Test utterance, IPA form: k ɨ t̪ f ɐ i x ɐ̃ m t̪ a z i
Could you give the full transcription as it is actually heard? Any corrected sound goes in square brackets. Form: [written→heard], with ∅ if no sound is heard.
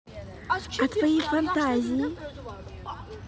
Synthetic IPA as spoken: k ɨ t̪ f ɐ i [x→f] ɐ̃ [m→n] t̪ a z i